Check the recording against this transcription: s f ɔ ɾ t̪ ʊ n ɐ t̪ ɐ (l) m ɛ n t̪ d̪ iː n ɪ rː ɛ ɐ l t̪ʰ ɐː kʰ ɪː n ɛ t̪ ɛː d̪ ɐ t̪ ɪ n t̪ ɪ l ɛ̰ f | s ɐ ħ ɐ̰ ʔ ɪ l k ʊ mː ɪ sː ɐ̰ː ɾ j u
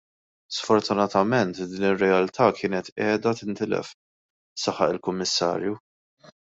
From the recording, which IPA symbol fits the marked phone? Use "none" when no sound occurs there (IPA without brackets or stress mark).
none